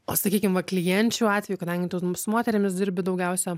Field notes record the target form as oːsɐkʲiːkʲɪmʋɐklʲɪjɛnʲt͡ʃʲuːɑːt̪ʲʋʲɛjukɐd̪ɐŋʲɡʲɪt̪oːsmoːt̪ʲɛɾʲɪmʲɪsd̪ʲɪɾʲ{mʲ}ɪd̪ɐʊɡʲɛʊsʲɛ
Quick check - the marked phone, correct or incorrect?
incorrect